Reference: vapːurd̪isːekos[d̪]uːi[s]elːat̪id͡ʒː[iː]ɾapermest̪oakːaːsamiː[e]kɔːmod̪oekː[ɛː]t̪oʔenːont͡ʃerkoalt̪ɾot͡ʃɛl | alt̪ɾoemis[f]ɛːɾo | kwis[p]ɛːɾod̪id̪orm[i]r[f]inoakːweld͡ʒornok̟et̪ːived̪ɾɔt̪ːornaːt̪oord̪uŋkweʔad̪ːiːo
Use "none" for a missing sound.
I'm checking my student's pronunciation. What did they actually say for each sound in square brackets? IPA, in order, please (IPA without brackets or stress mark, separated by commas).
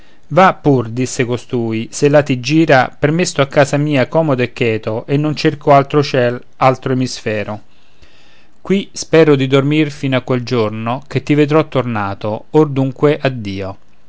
t̪, s, iː, a, ɛː, f, p, i, f